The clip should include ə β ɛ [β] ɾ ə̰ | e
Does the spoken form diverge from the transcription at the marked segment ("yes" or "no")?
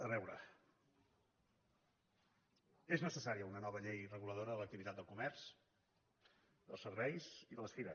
yes